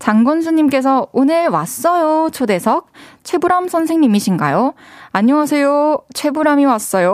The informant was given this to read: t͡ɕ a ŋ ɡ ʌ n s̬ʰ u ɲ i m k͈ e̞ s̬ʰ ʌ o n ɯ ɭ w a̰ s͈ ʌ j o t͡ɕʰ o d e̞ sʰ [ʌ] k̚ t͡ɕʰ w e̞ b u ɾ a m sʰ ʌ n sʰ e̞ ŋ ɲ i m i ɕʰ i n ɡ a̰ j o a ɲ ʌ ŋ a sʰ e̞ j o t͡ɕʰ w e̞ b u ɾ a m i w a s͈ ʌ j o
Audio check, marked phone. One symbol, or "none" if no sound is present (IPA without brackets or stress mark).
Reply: ʌ